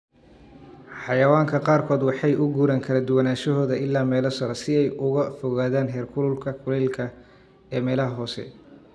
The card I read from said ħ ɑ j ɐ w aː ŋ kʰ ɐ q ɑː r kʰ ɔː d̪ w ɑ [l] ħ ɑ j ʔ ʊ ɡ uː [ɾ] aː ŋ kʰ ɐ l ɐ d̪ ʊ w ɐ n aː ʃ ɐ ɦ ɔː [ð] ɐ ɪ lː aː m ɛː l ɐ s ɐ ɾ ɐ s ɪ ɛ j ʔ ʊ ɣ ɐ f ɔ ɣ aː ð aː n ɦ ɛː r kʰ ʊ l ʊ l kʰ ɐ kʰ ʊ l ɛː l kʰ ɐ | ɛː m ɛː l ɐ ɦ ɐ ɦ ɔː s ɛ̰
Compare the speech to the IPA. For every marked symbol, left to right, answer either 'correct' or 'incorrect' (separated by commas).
incorrect, correct, correct